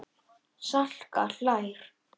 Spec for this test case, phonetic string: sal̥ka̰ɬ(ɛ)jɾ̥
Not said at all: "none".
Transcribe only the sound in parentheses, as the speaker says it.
a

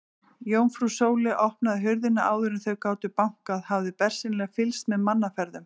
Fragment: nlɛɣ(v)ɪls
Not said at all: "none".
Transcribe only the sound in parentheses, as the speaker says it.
f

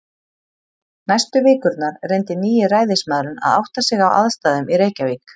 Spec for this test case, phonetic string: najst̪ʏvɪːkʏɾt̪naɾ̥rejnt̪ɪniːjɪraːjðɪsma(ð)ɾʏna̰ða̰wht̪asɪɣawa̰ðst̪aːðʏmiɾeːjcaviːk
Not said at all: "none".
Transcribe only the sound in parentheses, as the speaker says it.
ð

